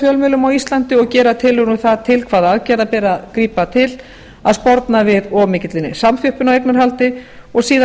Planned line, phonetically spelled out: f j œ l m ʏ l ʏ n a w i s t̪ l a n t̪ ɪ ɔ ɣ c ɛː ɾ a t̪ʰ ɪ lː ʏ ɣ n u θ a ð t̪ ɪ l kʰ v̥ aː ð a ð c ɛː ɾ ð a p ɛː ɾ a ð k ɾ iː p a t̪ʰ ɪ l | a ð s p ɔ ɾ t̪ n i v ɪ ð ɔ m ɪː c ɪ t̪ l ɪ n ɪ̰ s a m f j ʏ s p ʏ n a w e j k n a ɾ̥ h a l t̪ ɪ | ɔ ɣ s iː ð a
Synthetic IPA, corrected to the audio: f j œ l m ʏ l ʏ m a w i s t̪ l a n t̪ ɪ ɔ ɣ c ɛː ɾ a t̪ʰ ɪ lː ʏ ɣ n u θ a ð t̪ʰ ɪ l kʰ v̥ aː ð a ð c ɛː ɾ ð a p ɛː ɾ a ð k ɾ iː p a t̪ʰ ɪ l | a ð s p ɔ ɾ t̪ n a v ɪ ð ɔ m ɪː c ɪ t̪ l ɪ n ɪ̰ s a m f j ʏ h p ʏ n a w e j k n a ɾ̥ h a l t̪ ɪ | ɔ ɣ s iː ð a